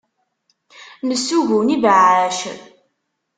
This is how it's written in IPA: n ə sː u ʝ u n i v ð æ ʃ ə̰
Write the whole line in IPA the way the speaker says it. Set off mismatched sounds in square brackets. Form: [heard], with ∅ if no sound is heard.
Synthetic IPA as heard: n ə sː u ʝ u n i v [ʕ] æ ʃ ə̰